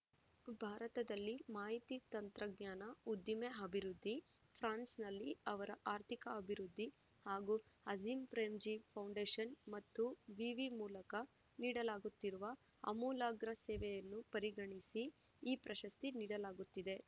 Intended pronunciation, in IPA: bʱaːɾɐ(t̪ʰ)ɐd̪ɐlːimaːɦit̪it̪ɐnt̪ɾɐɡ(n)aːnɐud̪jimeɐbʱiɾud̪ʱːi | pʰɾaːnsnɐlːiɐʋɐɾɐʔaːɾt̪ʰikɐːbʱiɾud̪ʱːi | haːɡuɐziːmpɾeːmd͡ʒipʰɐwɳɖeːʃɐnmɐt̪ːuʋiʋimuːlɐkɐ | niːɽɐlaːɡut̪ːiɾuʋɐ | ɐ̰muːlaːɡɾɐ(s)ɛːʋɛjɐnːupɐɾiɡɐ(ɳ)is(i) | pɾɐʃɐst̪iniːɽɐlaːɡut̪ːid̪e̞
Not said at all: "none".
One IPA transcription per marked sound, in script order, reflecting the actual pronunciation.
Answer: t̪, ɲ, s, ɳ, iː

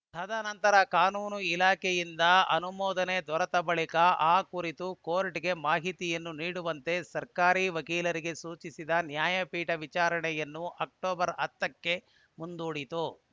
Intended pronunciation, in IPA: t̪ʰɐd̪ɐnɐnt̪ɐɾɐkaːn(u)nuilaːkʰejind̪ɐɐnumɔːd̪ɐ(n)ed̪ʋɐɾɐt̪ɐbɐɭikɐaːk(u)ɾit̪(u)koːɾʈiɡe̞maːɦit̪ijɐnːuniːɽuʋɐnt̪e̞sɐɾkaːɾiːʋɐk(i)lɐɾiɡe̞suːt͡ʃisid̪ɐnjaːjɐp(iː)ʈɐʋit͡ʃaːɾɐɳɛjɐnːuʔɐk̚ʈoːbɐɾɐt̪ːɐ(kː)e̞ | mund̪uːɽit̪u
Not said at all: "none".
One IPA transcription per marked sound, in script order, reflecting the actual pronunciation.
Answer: uː, n, u, u, iː, iː, kː

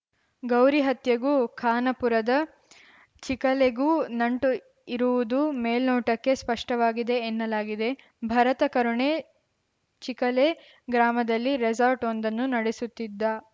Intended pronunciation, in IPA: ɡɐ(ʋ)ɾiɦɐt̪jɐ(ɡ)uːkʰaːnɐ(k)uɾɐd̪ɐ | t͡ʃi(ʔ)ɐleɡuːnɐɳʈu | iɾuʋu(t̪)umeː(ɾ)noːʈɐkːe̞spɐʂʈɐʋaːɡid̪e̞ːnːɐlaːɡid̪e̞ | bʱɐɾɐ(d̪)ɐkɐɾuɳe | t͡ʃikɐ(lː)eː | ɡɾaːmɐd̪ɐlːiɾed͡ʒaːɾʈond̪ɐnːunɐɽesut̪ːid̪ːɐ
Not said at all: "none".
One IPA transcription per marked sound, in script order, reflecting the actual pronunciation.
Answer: w, ɡ, p, k, d̪, l, t̪, l

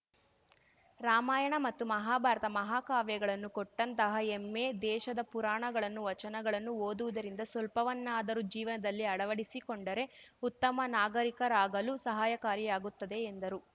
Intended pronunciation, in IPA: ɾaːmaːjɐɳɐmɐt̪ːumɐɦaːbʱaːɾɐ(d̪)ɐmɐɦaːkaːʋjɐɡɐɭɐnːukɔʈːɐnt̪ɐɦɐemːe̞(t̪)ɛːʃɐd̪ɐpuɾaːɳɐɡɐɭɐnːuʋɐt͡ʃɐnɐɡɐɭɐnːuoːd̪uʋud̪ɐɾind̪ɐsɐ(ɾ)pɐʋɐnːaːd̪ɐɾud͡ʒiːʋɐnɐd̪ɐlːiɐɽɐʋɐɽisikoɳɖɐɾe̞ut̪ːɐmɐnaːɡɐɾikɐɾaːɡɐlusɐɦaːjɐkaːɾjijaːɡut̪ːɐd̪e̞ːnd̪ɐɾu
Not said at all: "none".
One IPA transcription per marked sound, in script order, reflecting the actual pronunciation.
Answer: t̪, d̪, l

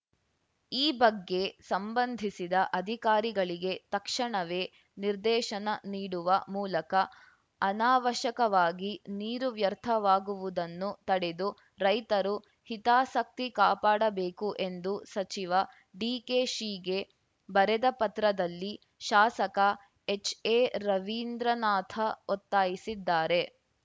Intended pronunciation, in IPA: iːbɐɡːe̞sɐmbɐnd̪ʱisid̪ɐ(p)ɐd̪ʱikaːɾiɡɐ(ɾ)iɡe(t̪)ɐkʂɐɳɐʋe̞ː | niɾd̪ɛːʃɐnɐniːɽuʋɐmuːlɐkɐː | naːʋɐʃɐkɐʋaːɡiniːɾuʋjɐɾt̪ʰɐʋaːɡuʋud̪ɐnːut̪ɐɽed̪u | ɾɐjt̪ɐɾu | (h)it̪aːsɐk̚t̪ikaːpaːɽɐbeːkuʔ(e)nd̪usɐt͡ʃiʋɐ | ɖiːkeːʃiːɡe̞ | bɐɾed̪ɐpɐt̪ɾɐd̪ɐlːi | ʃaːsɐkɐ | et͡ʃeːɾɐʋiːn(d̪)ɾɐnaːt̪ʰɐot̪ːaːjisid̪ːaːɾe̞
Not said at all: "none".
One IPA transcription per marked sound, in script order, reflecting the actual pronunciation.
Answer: ʔ, ɭ, t̪, h, e, d̪

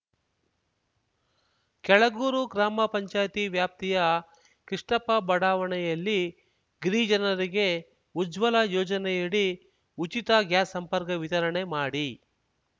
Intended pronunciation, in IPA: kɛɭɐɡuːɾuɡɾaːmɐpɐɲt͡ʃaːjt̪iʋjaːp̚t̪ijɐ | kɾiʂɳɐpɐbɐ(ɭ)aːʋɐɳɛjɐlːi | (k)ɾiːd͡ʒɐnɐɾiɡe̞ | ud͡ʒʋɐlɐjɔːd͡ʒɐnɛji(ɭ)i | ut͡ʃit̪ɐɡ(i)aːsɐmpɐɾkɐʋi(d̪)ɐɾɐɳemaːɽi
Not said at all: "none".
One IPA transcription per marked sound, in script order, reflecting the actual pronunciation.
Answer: ɽ, ɡ, ɽ, j, t̪

